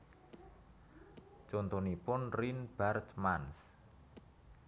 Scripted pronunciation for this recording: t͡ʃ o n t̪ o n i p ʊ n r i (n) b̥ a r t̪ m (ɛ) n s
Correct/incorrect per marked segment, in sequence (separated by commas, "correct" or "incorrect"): correct, incorrect